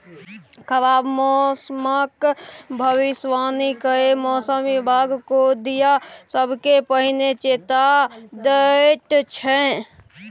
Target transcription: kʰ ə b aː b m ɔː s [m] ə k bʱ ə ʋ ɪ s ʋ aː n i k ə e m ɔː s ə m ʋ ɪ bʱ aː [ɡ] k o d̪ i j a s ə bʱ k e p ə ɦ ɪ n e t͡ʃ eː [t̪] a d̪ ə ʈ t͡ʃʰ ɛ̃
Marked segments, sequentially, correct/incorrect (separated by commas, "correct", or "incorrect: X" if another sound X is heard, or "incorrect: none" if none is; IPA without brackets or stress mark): correct, correct, correct